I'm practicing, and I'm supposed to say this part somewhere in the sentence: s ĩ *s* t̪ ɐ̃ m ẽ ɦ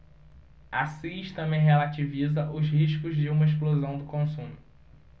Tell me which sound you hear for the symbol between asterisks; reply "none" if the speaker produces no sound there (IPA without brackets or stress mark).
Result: ʃ